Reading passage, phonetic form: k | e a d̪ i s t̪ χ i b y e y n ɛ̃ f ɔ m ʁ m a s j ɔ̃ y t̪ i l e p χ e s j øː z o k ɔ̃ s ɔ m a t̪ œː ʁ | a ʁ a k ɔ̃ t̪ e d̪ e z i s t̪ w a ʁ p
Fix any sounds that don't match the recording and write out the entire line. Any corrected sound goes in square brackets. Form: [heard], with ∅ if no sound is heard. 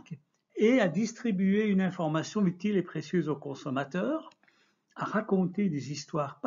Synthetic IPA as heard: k | e a d̪ i s t̪ χ i b y e y n ɛ̃ f ɔ [∅] ʁ m a s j ɔ̃ y t̪ i l e p χ e s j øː z o k ɔ̃ s ɔ m a t̪ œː ʁ | a ʁ a k ɔ̃ t̪ e d̪ e z i s t̪ w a ʁ p

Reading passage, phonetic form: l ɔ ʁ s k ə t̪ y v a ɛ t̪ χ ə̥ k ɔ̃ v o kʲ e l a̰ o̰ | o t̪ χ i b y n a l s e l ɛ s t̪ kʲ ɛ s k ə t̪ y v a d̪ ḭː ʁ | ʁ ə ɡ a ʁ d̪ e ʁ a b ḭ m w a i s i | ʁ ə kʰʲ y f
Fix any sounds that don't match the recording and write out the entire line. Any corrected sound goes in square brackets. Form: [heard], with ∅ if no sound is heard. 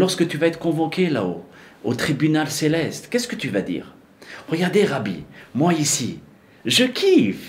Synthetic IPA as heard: l ɔ ʁ s k ə t̪ y v a ɛ t̪ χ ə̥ k ɔ̃ v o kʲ e l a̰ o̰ | o t̪ χ i b y n a l s e l ɛ s t̪ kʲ ɛ s k ə t̪ y v a d̪ ḭː ʁ | ʁ ə ɡ a ʁ d̪ e ʁ a b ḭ m w a i s i | [ʒ] ə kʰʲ [i] f

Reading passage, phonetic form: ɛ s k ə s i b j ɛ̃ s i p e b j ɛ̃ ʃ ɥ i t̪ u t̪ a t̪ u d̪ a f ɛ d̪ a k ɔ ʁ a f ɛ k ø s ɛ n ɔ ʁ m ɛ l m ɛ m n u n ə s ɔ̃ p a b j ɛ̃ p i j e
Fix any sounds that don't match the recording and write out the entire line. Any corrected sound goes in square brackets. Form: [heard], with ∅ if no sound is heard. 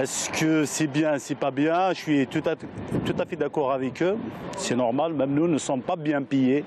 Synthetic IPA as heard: ɛ s k ə s i b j ɛ̃ s i p [a] b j ɛ̃ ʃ ɥ i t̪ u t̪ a t̪ u [t̪] a f ɛ d̪ a k ɔ ʁ a [v] ɛ k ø s ɛ n ɔ ʁ m [a] l m ɛ m n u n ə s ɔ̃ p a b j ɛ̃ p i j e

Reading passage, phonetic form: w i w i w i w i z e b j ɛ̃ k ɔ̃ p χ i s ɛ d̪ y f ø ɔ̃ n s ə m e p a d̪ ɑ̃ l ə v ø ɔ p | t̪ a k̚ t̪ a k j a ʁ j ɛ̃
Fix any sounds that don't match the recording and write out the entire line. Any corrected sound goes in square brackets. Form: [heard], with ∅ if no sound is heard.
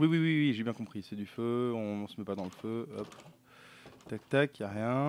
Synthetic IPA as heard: w i w i w i w i [ʒ] e b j ɛ̃ k ɔ̃ p χ i s ɛ d̪ y f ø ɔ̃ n s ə m [ɛ] p a d̪ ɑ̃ l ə [f] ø ɔ p | t̪ a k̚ t̪ a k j a ʁ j ɛ̃

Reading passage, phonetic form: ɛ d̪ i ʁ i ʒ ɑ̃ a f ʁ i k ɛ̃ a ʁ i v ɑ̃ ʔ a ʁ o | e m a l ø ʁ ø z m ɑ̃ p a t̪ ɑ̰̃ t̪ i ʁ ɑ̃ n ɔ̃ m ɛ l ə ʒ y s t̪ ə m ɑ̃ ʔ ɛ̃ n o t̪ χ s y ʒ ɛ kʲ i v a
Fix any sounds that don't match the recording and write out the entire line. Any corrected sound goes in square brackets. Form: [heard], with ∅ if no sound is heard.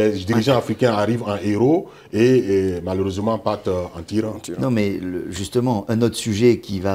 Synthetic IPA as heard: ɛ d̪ i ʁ i ʒ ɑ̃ a f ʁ i k ɛ̃ a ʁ i v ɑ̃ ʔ [e] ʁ o | e m a l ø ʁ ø z m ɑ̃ p a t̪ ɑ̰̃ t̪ i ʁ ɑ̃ n ɔ̃ m ɛ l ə ʒ y s t̪ ə m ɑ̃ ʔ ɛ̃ n o t̪ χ s y ʒ ɛ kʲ i v a

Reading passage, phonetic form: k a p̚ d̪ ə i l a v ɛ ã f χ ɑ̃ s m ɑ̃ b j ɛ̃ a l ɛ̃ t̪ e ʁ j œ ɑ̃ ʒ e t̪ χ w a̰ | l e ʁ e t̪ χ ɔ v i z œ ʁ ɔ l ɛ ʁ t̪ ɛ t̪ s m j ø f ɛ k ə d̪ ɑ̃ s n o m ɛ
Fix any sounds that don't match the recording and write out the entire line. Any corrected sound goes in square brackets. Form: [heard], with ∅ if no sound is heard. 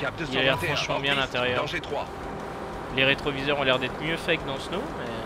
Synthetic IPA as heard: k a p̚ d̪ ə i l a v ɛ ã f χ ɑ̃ [ʃ] m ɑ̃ b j ɛ̃ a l ɛ̃ t̪ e ʁ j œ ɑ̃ ʒ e t̪ χ w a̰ | l e ʁ e t̪ χ ɔ v i z œ ʁ [ɔ̃] l ɛ ʁ [d̪] ɛ t̪ [χ] m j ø f ɛ k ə d̪ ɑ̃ s n o m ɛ

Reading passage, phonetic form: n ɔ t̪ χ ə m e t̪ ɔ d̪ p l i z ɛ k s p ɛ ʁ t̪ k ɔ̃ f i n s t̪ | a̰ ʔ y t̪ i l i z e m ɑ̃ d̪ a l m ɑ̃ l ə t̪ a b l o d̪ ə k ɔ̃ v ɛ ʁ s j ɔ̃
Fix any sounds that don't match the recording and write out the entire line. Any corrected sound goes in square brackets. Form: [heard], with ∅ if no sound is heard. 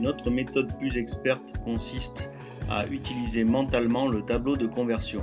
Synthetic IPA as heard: n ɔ t̪ χ ə m e t̪ ɔ d̪ p l [y] z ɛ k s p ɛ ʁ t̪ k ɔ̃ [s] i [∅] s t̪ | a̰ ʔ y t̪ i l i z e m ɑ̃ [t̪] a l m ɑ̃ l ə t̪ a b l o d̪ ə k ɔ̃ v ɛ ʁ s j ɔ̃

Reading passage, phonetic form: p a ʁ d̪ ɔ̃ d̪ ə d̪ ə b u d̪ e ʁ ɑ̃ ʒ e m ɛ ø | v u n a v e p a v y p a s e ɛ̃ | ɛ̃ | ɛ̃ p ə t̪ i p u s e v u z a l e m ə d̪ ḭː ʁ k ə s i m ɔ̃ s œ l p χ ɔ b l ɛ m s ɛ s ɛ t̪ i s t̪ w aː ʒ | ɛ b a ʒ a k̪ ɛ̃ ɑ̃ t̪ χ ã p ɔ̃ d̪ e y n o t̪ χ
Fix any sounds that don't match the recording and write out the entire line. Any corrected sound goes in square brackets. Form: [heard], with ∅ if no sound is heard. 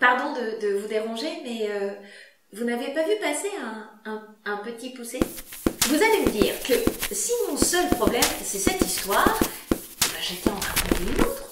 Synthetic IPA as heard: p a ʁ d̪ ɔ̃ d̪ ə d̪ ə [v] u d̪ e ʁ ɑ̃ ʒ e m ɛ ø | v u n a v e p a v y p a s e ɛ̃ | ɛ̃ | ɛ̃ p ə t̪ i p u s e v u z a l e m ə d̪ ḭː ʁ k ə s i m ɔ̃ s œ l p χ ɔ b l ɛ m s ɛ s ɛ t̪ i s t̪ w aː [ʁ] | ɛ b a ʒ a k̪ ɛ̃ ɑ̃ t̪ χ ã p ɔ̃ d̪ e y n o t̪ χ

